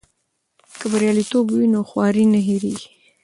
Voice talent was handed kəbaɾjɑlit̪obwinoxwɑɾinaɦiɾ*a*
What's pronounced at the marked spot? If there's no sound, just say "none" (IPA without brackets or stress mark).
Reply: i